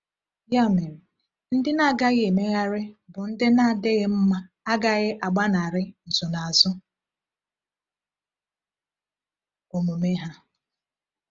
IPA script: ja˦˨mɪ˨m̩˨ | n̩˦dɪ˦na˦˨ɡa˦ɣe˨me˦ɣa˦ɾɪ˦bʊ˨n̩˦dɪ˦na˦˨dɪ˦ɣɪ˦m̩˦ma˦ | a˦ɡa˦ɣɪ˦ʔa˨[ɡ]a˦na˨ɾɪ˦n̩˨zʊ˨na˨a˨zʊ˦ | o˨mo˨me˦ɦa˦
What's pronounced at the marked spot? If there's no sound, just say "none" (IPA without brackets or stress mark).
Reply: ɡ͡b